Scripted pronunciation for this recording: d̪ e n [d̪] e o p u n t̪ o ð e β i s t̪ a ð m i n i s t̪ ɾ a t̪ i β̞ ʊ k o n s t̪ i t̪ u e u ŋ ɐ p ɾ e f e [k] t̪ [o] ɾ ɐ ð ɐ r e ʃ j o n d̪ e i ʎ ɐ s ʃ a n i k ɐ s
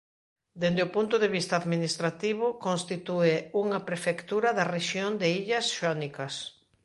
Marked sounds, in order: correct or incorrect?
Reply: correct, correct, incorrect

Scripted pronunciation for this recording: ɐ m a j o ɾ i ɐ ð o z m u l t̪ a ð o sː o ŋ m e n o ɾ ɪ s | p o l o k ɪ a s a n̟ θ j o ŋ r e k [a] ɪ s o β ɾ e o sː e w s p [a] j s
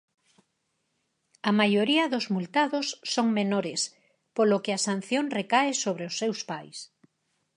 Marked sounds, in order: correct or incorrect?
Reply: correct, correct

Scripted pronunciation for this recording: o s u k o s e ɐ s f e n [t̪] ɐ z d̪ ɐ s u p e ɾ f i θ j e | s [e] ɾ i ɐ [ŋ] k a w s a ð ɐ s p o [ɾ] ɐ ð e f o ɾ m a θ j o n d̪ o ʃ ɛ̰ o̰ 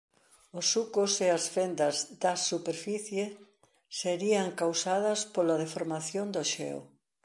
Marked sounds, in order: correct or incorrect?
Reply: incorrect, correct, correct, incorrect

